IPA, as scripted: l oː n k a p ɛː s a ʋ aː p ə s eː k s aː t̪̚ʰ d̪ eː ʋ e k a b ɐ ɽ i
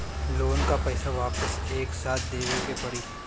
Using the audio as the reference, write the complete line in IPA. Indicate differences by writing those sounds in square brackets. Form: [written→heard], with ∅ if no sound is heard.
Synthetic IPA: l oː n k a p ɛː s a ʋ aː p ə s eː k s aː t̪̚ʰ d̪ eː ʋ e k [a→e] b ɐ ɽ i